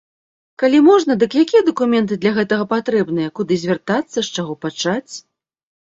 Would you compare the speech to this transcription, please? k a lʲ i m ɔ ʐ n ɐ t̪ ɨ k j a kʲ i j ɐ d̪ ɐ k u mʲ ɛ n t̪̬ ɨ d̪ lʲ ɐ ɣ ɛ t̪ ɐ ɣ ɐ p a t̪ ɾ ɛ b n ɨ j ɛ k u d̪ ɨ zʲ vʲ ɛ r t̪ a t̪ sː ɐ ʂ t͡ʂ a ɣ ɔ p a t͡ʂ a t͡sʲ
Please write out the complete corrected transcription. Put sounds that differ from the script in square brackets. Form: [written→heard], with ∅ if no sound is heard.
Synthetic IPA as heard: k a lʲ i m ɔ ʐ n ɐ [t̪→d̪] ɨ k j a kʲ i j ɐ d̪ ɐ k u mʲ ɛ n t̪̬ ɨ d̪ lʲ ɐ ɣ ɛ t̪ ɐ ɣ ɐ p a t̪ ɾ ɛ b n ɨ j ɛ k u d̪ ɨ zʲ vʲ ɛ r t̪ a t̪ sː ɐ ʂ t͡ʂ a ɣ ɔ p a t͡ʂ a t͡sʲ

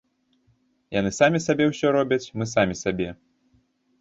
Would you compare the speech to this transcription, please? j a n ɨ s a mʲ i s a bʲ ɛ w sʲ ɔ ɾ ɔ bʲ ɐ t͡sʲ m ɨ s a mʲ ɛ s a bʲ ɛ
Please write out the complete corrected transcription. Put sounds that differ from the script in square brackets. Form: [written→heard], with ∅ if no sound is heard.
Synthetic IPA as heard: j a n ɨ s a mʲ i s a bʲ ɛ w sʲ ɔ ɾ ɔ bʲ ɐ t͡sʲ m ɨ s a mʲ [ɛ→i] s a bʲ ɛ

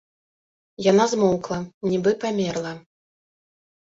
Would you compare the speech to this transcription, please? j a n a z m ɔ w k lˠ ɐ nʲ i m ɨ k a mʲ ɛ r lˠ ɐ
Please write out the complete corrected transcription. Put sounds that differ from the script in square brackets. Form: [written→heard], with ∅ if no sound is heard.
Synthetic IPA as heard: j a n a z m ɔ w k lˠ ɐ nʲ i [m→b] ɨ [k→p] a mʲ ɛ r lˠ ɐ

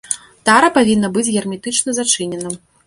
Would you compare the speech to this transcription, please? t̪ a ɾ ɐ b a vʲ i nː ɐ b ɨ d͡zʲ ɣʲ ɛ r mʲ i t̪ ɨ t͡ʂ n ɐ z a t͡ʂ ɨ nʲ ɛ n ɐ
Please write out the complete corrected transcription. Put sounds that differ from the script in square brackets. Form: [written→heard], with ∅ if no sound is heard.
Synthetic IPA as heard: t̪ a ɾ ɐ [b→p] a vʲ i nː ɐ b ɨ d͡zʲ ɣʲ ɛ r mʲ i t̪ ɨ t͡ʂ n ɐ z a t͡ʂ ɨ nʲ ɛ n ɐ

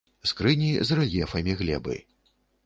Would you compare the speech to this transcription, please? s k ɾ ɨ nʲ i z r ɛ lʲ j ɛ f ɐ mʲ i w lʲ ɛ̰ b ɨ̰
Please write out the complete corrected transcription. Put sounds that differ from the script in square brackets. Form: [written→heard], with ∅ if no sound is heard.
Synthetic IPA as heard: s k ɾ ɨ nʲ i z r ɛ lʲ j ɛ f ɐ mʲ i [w→ɣ] lʲ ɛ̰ b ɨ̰

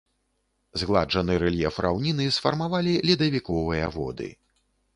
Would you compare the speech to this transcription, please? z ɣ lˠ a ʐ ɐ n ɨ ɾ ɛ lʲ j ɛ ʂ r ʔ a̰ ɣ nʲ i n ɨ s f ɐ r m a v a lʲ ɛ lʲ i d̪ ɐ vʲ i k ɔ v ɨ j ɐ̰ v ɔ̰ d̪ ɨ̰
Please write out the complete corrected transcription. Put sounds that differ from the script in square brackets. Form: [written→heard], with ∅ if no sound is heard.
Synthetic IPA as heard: z ɣ lˠ a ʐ ɐ n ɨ ɾ ɛ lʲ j ɛ [ʂ→f] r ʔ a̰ [ɣ→w] nʲ i n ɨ s f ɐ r m a v a lʲ [ɛ→i] lʲ i d̪ ɐ vʲ i k ɔ v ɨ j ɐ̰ v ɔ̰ d̪ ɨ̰

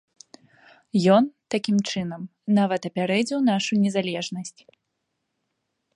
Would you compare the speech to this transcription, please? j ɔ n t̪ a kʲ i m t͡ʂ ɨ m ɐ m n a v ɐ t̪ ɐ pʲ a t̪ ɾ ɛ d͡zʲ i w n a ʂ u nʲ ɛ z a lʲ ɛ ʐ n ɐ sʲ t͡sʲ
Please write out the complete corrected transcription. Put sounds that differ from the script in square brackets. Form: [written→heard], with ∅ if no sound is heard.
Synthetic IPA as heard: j ɔ n t̪ a kʲ i m t͡ʂ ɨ [m→n] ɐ m n a v ɐ t̪ ɐ pʲ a [t̪→∅] ɾ ɛ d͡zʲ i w n a ʂ u nʲ ɛ z a lʲ ɛ ʐ n ɐ sʲ t͡sʲ

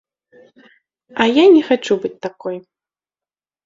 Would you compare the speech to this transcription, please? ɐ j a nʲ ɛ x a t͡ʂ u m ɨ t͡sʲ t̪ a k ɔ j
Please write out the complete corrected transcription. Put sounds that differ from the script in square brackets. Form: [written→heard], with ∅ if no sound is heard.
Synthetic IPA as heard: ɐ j a nʲ ɛ x a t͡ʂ u [m→b] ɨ t͡sʲ t̪ a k ɔ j

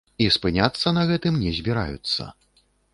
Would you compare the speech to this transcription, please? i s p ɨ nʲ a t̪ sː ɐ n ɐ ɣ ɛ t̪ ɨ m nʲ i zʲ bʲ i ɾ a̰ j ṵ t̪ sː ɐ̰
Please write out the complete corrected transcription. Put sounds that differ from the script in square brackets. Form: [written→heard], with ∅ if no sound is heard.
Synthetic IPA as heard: i s p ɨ nʲ a t̪ sː ɐ n ɐ ɣ ɛ t̪ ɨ m nʲ [i→ɛ] zʲ bʲ i ɾ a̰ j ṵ t̪ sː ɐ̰

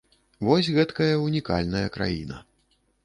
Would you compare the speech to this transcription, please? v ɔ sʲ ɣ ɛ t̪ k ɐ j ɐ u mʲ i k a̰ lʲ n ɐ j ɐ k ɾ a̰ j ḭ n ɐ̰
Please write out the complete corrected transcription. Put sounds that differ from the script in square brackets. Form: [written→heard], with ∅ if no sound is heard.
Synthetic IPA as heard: v ɔ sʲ ɣ ɛ t̪ k ɐ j ɐ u [mʲ→nʲ] i k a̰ lʲ n ɐ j ɐ k ɾ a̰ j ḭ n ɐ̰

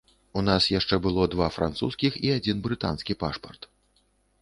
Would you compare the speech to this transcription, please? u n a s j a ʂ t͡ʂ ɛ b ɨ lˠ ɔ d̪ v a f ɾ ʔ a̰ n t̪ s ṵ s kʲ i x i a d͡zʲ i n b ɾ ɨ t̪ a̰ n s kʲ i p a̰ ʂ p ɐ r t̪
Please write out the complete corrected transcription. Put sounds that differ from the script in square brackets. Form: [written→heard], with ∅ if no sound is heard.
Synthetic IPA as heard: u n a s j a ʂ t͡ʂ ɛ b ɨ lˠ ɔ d̪ v a f ɾ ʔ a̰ n t̪ s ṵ s kʲ i x i a d͡zʲ i n b ɾ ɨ t̪ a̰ n s kʲ i p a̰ ʂ p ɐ r t̪

